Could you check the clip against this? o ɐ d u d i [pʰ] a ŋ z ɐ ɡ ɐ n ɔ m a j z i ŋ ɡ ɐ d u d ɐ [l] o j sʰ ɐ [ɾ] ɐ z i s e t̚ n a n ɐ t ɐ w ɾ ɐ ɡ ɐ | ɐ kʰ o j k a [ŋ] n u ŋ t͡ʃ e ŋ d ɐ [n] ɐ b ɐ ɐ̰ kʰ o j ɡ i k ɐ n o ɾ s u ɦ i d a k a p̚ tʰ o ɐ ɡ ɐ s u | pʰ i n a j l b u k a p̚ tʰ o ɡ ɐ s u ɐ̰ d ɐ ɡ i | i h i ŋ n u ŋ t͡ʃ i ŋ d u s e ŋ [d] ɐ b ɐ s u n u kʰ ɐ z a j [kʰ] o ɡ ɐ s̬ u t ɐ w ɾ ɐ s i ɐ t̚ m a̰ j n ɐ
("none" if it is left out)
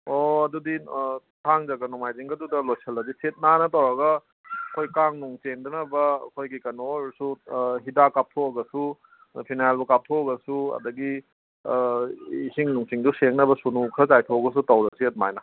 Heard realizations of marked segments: tʰ, l, l, ŋ, n, n, tʰ

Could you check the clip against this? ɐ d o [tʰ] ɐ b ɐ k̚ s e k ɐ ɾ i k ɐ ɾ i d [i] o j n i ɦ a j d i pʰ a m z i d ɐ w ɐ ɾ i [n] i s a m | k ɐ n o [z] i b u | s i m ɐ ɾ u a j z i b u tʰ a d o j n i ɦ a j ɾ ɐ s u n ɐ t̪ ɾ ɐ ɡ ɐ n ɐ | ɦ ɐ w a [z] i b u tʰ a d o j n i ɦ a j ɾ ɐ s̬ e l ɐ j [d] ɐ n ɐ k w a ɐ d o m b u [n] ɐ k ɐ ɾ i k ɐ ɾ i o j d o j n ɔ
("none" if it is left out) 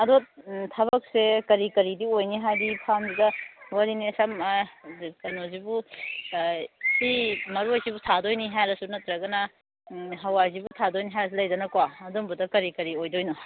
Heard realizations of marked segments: tʰ, i, n, z, z, d, d

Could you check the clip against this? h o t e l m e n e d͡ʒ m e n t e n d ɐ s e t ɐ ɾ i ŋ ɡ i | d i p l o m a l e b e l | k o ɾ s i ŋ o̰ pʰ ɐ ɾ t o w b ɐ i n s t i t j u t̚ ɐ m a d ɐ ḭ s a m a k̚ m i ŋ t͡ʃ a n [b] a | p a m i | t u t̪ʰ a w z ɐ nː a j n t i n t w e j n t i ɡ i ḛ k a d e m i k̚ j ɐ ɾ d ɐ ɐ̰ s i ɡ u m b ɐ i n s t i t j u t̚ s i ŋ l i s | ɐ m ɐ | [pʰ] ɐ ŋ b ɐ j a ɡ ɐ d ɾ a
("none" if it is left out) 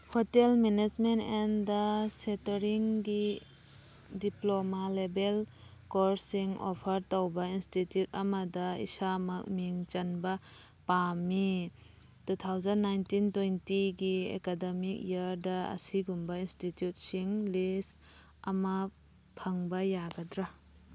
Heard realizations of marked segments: b, pʰ

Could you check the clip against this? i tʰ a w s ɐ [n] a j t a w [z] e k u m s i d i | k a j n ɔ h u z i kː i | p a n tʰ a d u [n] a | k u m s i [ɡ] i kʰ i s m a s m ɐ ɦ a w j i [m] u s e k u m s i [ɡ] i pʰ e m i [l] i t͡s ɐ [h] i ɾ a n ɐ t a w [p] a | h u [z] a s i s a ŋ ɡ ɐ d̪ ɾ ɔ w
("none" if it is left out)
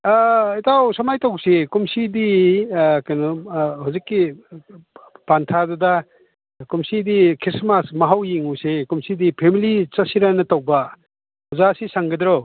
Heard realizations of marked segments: m, s, d, d, ŋ, d, l, s, b, z

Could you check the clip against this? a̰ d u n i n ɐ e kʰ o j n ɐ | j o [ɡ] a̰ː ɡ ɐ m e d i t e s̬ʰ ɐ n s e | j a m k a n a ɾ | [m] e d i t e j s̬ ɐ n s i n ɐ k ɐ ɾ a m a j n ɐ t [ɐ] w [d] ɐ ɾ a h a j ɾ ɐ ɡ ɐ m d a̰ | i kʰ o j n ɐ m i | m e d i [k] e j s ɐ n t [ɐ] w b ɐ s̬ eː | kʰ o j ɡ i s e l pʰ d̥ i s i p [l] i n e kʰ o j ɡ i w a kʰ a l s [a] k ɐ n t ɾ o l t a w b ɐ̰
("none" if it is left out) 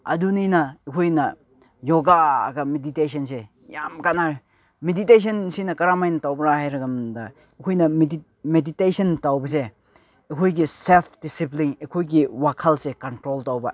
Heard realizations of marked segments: ɡ, m, a, b, t, a, l, e

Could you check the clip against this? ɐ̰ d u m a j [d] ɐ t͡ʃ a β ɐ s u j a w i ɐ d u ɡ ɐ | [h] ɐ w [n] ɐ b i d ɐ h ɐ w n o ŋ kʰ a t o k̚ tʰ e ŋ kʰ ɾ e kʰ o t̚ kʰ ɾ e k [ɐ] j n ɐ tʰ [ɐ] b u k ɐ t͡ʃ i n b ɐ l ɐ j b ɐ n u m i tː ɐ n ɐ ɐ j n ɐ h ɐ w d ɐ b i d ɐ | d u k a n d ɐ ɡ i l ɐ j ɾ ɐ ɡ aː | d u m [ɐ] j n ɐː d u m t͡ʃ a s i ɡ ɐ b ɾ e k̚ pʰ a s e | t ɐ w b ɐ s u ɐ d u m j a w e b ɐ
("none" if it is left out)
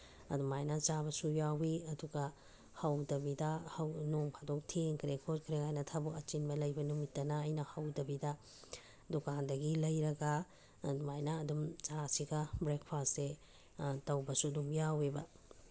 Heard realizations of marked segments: n, h, d, a, a, a

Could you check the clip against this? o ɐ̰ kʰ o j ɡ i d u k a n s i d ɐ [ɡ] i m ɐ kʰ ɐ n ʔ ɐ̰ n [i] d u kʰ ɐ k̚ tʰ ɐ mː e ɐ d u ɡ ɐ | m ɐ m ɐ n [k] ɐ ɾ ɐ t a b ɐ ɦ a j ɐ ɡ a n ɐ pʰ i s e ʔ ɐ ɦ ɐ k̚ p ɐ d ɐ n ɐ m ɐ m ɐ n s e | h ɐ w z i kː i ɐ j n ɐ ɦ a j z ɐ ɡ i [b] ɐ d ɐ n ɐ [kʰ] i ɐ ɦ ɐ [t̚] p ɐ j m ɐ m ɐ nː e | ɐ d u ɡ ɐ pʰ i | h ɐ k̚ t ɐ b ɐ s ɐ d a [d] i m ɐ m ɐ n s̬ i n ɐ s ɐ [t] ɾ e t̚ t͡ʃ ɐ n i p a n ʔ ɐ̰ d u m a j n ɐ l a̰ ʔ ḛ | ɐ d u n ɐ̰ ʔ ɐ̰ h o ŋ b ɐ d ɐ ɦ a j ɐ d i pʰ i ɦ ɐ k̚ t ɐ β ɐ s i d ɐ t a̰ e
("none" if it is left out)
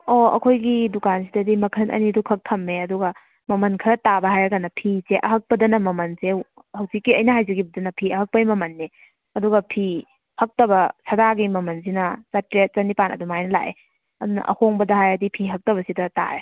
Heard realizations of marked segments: d, i, kʰ, b, pʰ, k̚, ɡ, t

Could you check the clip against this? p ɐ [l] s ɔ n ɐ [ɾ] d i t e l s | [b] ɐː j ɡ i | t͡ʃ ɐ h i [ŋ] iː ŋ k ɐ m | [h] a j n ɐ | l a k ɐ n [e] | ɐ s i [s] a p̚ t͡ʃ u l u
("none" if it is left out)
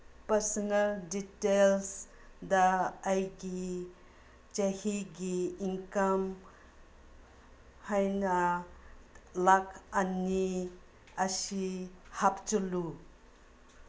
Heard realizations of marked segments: ɾ, l, d, ɡ, h, i, h

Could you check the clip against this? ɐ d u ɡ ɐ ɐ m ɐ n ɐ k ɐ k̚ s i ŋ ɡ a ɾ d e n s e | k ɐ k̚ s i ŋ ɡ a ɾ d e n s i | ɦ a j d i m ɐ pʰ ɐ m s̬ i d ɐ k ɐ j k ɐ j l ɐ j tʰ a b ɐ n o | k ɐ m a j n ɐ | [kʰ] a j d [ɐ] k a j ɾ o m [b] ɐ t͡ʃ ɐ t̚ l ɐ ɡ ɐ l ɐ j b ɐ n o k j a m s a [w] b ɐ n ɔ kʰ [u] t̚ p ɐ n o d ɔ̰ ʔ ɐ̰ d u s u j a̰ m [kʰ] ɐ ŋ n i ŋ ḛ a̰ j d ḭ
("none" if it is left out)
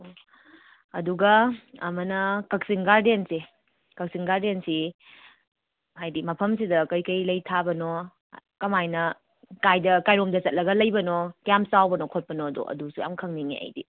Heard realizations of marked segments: k, ɐ, d, w, o, kʰ

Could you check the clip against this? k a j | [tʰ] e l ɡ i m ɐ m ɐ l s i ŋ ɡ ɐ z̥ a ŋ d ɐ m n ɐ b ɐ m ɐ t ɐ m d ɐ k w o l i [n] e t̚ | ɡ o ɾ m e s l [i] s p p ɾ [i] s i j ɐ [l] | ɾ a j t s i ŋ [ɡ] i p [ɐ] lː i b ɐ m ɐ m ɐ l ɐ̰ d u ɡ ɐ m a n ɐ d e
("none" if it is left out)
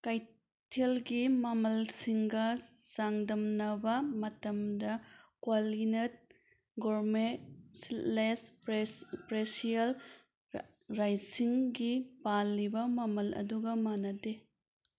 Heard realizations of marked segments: tʰ, n, e, e, l, ɡ, a

